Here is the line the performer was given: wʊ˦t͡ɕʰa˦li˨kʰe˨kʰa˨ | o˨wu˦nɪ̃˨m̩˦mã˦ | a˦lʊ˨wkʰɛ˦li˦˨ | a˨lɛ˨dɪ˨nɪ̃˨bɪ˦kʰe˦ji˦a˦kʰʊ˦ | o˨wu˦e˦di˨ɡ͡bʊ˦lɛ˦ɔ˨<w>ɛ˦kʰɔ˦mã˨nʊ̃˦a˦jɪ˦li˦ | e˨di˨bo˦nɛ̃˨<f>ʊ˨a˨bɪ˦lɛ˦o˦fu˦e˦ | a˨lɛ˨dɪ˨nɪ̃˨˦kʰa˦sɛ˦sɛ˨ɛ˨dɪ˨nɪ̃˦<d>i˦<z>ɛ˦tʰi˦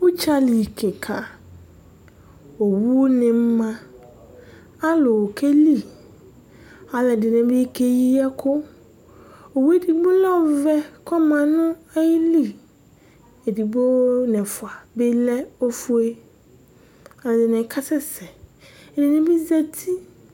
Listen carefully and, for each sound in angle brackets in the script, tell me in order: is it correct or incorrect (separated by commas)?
incorrect, correct, incorrect, correct